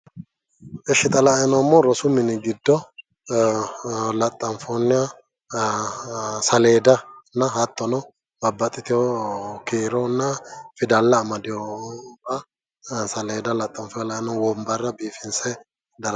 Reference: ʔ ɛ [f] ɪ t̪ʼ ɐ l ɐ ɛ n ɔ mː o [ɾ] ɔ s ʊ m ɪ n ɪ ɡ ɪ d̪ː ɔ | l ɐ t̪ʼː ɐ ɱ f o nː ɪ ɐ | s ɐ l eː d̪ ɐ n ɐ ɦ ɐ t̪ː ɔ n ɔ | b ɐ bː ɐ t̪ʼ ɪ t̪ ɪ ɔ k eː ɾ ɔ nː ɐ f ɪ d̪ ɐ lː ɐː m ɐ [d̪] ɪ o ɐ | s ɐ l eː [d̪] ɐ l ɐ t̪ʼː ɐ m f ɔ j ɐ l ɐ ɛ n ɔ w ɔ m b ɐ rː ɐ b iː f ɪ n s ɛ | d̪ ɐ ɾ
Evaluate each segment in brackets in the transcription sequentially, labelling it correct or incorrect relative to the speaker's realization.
incorrect, correct, correct, correct

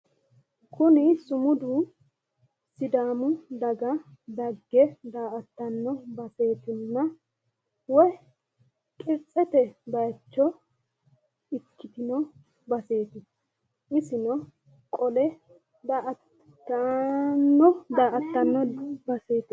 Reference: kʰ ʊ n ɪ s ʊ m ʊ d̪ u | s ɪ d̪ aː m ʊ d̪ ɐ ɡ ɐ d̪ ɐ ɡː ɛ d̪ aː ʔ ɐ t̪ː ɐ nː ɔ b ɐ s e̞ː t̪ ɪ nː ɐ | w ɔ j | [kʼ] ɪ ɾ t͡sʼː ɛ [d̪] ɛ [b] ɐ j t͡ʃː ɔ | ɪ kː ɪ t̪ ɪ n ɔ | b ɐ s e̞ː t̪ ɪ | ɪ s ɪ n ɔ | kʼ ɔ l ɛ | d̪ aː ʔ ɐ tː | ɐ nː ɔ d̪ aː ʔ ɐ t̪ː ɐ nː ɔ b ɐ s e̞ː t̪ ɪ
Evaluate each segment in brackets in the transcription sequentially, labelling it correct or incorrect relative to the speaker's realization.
correct, incorrect, correct

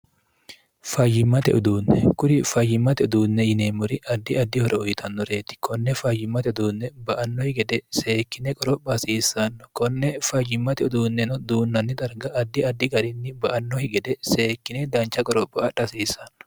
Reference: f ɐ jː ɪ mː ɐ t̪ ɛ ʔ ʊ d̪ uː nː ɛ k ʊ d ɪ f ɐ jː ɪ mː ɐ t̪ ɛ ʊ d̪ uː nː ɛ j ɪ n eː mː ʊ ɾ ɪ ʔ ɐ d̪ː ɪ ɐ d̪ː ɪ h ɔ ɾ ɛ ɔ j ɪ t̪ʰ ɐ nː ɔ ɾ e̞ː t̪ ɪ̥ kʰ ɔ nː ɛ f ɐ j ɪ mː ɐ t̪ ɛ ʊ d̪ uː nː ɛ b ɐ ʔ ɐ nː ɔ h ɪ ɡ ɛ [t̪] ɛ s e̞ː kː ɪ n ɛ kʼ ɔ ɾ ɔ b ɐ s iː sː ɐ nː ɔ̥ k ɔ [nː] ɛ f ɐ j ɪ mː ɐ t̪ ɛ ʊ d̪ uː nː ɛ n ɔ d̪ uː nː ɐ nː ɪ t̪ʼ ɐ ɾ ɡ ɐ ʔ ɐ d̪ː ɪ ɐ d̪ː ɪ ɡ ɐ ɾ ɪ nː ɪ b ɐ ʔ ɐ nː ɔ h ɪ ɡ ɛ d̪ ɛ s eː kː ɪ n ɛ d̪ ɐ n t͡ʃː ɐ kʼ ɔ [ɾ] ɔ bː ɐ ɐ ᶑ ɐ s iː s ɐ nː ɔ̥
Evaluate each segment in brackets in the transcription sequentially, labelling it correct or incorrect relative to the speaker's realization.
incorrect, correct, correct

